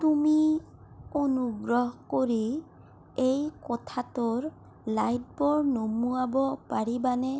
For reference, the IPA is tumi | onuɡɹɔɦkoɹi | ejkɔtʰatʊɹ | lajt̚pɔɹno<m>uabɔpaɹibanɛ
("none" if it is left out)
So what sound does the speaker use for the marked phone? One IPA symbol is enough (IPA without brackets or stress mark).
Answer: m